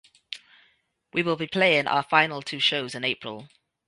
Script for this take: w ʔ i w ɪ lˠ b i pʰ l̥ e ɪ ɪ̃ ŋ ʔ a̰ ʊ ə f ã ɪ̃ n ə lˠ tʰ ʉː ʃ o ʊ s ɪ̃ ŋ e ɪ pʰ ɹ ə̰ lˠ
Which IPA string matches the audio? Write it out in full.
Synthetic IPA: w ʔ i w ɪ lˠ b i pʰ l̥ e ɪ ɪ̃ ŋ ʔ a̰ ʊ ə f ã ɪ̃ n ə lˠ tʰ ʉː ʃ o ʊ z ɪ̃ n e ɪ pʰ ɹ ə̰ lˠ